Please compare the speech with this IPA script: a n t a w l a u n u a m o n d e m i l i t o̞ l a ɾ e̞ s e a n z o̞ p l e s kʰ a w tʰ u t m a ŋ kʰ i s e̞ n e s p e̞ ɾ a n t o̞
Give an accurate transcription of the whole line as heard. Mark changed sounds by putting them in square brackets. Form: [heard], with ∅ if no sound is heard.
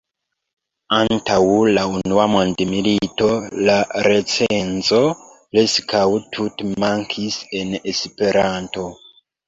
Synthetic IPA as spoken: a n t a w l a u n u a m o n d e m i l i t o̞ l a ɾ e̞ [t͡s] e [e] n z o̞ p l e s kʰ a w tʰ u t m a ŋ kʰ i s e̞ n e s p e̞ ɾ a n t o̞